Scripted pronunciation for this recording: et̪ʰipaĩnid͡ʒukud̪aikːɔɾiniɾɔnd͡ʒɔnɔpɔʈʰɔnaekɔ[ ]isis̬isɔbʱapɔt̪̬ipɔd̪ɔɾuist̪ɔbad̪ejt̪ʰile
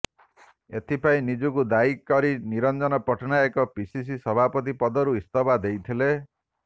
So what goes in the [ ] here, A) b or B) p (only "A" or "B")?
B